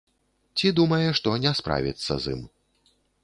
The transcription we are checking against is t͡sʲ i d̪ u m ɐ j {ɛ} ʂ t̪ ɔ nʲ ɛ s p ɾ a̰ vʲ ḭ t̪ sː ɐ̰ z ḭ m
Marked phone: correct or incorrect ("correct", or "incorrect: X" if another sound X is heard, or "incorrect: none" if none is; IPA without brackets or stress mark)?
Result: correct